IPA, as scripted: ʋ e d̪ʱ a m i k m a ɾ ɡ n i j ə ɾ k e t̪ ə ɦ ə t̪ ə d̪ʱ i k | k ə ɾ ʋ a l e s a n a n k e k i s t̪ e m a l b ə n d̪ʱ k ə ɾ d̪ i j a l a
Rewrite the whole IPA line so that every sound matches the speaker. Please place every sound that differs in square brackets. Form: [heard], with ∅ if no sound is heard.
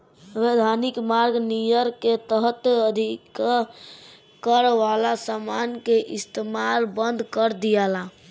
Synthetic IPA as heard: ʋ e d̪ʱ a [n] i k m a ɾ ɡ n i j ə ɾ k e t̪ ə ɦ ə t̪ ə d̪ʱ i k | k ə ɾ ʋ a l [a] s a [m] a n k e [ʔ] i s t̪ e m a l b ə n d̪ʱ k ə ɾ d̪ i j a l a